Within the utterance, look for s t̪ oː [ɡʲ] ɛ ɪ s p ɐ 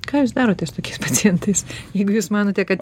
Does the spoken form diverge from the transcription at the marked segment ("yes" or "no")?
yes